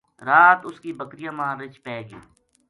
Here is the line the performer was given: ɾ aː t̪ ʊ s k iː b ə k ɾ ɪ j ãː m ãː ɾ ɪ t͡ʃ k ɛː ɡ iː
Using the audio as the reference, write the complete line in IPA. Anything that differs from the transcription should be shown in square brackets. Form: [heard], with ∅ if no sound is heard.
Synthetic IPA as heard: ɾ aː t̪ ʊ s k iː b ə k ɾ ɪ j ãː m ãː ɾ ɪ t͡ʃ [p] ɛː ɡ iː